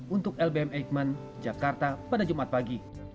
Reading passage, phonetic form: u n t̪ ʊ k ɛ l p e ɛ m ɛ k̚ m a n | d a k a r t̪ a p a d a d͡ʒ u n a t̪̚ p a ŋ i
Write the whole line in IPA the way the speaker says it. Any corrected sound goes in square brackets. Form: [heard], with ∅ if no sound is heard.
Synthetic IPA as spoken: u n t̪ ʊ k ɛ l [b] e ɛ m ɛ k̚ m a n | [d͡ʒ] a k a r t̪ a p a d a d͡ʒ u [m] a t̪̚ p a [ɡ] i